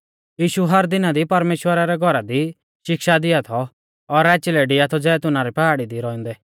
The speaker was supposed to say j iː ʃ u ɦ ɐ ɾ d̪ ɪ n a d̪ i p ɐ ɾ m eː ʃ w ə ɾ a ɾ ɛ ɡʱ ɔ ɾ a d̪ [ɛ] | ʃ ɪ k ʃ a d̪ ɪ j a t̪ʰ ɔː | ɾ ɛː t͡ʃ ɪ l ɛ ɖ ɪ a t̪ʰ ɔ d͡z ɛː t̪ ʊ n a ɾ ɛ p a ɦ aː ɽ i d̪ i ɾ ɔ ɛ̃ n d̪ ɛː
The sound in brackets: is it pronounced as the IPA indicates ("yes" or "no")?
no